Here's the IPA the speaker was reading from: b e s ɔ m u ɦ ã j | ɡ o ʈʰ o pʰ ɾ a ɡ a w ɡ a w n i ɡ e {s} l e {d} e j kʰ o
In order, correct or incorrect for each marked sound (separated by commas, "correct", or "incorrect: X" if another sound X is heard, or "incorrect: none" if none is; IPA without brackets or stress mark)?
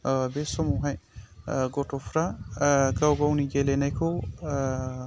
incorrect: none, incorrect: n